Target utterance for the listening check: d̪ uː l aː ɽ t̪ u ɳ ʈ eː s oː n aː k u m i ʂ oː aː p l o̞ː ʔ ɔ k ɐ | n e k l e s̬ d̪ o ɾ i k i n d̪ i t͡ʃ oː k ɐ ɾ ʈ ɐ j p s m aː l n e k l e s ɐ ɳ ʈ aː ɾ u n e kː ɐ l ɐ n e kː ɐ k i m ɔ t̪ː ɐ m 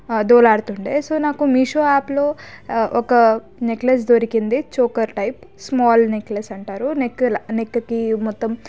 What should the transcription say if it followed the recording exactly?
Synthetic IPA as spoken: d̪ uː l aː ɽ t̪ u ɳ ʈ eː s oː n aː k u m i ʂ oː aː p l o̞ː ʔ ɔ k ɐ | n e k l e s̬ d̪ o ɾ i k i n d̪ i t͡ʃ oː k ɐ ɾ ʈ ɐ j p s m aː l n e k l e s ɐ ɳ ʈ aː ɾ u n e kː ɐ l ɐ n e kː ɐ k i m ɔ t̪ː ɐ m